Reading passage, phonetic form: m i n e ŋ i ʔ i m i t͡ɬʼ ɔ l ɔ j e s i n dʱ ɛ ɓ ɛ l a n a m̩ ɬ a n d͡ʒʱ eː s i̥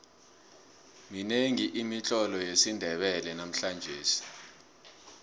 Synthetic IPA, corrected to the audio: m i n e ŋ i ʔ i m i t͡ɬʼ ɔ l ɔ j e s i n dʱ ɛ ɓ ɛ l ɛ n a m̩ ɬ a n d͡ʒʱ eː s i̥